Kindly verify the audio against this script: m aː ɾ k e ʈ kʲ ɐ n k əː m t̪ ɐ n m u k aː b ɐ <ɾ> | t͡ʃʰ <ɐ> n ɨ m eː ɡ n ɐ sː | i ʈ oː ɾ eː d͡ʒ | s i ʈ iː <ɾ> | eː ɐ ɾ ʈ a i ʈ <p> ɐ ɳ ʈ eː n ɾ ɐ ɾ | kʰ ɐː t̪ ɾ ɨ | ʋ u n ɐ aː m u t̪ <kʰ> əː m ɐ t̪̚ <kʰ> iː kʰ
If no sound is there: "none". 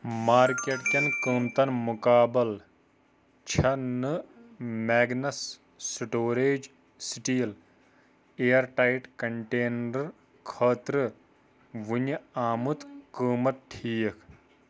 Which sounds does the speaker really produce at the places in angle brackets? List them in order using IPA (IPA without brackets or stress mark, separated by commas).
l, ɐ, l, k, k, ʈʰ